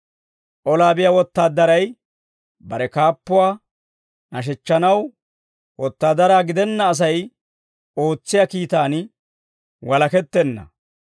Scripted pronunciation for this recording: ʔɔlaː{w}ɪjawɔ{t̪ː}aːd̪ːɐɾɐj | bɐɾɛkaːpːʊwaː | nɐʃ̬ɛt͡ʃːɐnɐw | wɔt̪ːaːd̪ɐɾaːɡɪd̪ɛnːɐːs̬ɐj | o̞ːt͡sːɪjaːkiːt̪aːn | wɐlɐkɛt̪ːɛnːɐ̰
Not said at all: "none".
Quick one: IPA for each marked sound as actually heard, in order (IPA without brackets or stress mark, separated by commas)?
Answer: b, t̪ː